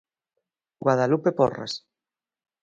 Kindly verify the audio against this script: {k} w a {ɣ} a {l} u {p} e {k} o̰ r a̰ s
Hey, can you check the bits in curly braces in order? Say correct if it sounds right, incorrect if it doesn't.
incorrect, incorrect, correct, correct, incorrect

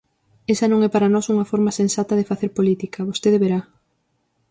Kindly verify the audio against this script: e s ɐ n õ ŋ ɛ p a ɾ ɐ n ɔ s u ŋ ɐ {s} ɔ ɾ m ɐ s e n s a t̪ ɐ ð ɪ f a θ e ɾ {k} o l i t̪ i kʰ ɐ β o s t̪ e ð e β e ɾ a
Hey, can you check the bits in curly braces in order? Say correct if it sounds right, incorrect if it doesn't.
incorrect, incorrect

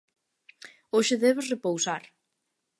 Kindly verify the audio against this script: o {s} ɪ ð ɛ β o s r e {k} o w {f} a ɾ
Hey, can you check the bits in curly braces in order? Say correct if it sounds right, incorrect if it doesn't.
incorrect, incorrect, incorrect

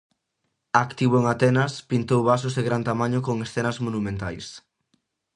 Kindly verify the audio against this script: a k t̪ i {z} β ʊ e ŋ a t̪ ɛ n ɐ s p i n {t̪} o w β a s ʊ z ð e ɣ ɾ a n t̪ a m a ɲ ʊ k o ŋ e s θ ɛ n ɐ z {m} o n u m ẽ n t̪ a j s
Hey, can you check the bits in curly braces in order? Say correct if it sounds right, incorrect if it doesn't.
incorrect, correct, correct

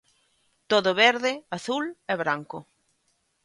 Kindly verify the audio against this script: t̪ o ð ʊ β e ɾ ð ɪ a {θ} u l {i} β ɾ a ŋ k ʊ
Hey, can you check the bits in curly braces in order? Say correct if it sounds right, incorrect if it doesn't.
correct, incorrect

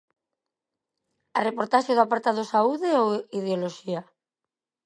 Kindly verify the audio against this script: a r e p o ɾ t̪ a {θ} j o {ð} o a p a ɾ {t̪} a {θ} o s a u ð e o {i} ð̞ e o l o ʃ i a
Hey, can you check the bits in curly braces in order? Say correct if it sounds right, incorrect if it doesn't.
incorrect, correct, correct, incorrect, correct

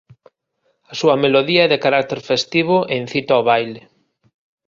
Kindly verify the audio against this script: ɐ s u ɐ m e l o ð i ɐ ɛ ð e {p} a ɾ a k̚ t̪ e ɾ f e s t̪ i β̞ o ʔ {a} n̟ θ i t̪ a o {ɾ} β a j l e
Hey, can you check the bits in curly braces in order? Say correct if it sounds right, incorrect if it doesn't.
incorrect, incorrect, incorrect

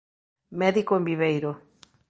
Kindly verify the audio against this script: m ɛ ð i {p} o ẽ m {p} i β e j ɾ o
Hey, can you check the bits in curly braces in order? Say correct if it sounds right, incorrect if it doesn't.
incorrect, incorrect

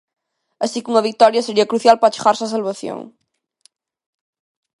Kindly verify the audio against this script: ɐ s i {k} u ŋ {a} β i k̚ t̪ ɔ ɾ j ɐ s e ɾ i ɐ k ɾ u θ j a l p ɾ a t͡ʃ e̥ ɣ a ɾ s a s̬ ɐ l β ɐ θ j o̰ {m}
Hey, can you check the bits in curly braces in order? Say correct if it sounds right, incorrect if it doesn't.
correct, incorrect, incorrect

